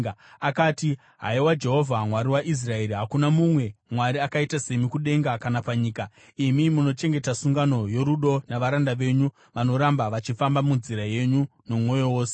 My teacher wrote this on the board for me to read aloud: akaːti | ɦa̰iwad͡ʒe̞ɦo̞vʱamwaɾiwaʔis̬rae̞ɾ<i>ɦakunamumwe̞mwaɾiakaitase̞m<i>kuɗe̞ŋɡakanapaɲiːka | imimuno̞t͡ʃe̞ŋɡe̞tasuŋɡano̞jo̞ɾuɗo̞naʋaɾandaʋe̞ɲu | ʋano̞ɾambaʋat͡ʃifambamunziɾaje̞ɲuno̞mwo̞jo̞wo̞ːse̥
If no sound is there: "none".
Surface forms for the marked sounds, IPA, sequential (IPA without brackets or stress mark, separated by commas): i, i